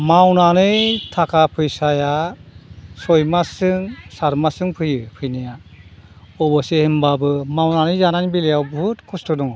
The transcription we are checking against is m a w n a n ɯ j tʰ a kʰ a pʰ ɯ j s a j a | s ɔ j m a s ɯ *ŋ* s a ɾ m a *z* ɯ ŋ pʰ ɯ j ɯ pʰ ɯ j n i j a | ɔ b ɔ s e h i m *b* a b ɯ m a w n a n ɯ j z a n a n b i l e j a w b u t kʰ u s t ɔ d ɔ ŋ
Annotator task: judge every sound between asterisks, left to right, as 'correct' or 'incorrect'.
correct, incorrect: s, correct

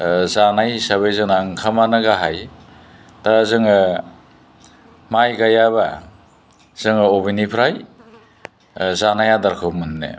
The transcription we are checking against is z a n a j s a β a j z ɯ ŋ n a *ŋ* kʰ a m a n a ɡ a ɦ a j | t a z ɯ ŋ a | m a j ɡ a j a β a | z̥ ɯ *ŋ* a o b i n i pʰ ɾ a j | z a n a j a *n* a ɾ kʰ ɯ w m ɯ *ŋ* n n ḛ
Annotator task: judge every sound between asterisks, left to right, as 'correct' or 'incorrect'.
correct, correct, incorrect: d, incorrect: none

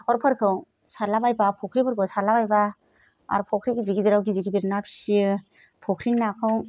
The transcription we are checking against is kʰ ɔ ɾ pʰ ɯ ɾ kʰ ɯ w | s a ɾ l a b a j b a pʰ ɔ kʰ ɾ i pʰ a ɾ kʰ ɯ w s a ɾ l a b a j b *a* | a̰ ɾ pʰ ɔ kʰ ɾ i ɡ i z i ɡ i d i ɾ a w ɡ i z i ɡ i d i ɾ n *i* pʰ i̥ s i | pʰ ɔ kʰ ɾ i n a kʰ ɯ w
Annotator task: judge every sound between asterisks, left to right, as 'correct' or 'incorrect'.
correct, incorrect: a

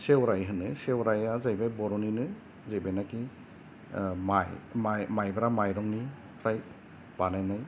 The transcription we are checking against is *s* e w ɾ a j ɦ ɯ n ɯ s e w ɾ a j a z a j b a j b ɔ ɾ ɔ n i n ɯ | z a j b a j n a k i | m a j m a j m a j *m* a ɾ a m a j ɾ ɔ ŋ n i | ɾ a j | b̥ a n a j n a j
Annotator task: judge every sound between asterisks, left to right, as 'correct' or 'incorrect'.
correct, incorrect: b

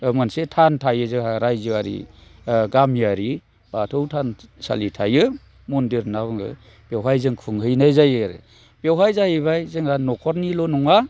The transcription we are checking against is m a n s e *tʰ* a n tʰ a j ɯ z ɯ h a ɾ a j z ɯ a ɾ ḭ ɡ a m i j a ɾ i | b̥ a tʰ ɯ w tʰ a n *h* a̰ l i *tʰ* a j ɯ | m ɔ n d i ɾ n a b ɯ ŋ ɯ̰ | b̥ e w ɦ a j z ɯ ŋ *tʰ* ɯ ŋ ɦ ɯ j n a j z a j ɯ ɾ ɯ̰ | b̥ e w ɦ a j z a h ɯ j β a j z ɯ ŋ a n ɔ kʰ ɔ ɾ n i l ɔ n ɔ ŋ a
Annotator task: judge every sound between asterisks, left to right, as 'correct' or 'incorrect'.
correct, incorrect: s, correct, incorrect: kʰ

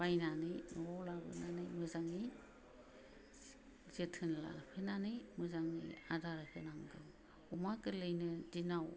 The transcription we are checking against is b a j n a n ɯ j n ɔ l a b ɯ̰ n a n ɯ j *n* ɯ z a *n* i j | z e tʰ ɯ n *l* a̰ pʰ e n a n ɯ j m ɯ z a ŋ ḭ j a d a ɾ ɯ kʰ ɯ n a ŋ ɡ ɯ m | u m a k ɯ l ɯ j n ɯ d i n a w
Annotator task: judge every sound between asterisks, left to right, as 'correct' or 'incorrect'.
incorrect: m, incorrect: ŋ, correct

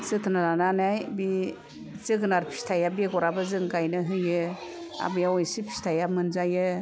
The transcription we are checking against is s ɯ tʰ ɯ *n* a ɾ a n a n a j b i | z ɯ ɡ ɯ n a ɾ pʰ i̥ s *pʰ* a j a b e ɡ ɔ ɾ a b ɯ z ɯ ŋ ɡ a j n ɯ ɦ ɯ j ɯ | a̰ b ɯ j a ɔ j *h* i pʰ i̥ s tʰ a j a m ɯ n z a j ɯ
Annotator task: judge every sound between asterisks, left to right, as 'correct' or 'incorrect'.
correct, incorrect: tʰ, incorrect: s

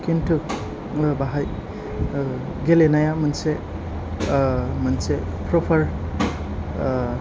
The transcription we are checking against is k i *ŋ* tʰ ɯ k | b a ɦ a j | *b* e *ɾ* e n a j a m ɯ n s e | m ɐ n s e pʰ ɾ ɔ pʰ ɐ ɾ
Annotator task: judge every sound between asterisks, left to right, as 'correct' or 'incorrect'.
incorrect: n, incorrect: ɡ, incorrect: l

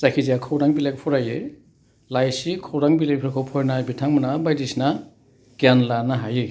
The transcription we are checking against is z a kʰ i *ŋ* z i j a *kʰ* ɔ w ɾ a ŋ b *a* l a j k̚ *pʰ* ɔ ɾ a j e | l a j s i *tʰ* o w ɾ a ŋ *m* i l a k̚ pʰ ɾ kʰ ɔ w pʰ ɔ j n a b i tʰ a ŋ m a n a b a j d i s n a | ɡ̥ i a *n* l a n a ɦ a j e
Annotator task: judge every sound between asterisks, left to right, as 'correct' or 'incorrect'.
incorrect: none, correct, incorrect: i, correct, incorrect: kʰ, incorrect: b, correct

